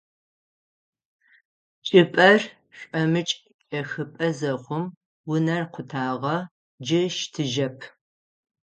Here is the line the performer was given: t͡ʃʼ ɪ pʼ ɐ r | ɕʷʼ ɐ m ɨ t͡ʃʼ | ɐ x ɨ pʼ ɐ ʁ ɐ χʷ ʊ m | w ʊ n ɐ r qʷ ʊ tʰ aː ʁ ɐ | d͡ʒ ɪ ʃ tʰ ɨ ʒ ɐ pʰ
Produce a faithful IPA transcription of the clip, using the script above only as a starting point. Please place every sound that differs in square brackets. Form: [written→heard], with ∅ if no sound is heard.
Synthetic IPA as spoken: t͡ʃʼ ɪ pʼ ɐ r | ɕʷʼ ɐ m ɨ t͡ʃʼ | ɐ x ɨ pʼ ɐ [ʁ→z] ɐ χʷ ʊ m | w ʊ n ɐ r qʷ ʊ tʰ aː ʁ ɐ | d͡ʒ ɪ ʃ tʰ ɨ ʒ ɐ pʰ